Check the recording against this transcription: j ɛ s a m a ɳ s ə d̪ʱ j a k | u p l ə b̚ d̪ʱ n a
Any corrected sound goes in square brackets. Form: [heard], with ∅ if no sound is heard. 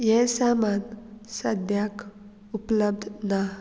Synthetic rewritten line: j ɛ s a m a [n] s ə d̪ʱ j a k | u p l ə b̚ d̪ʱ n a